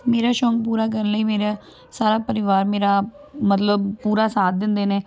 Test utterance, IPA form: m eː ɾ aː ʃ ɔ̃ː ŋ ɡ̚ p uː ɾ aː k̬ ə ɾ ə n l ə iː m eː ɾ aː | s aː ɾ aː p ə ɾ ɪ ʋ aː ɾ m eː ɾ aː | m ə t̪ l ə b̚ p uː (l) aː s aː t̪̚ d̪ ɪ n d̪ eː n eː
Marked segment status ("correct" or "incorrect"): incorrect